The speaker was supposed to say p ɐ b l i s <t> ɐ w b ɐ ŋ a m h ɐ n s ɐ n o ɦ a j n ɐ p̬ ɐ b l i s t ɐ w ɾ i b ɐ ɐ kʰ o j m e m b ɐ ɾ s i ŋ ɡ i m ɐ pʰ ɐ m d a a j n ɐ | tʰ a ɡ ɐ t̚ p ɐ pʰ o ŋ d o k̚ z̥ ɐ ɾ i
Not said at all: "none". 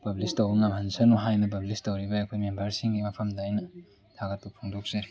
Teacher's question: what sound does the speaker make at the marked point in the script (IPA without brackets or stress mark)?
t